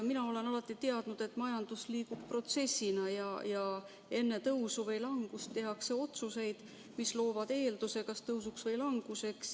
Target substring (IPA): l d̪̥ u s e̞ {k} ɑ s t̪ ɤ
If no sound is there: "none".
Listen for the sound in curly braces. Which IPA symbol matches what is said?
k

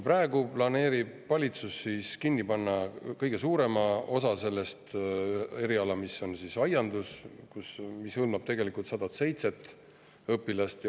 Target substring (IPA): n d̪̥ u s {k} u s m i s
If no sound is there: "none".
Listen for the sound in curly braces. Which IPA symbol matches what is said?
k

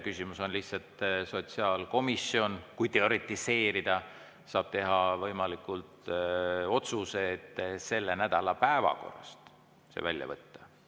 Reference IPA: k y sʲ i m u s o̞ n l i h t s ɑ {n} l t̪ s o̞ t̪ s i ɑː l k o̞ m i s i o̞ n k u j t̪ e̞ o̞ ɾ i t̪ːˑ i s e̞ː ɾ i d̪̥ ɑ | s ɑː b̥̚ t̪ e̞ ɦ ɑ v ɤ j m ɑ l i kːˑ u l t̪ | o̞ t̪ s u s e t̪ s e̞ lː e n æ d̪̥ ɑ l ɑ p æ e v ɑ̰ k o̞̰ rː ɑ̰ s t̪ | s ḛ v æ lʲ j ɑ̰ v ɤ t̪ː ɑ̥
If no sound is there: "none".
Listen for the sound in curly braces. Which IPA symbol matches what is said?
none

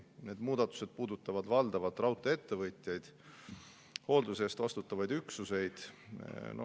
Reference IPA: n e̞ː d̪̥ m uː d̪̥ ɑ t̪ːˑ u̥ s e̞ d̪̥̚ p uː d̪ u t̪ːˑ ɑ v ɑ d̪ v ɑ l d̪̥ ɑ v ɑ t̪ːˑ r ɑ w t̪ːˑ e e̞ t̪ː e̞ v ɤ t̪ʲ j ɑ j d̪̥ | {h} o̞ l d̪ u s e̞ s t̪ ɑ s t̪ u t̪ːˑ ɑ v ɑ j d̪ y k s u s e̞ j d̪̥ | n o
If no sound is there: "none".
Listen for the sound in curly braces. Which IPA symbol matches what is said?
h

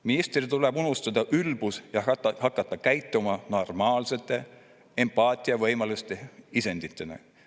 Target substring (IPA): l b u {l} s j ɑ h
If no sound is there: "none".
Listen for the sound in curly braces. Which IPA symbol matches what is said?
none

